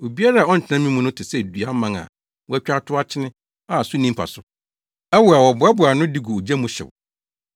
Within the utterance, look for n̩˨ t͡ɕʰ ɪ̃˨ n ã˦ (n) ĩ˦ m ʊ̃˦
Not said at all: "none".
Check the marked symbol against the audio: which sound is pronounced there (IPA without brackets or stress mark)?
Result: m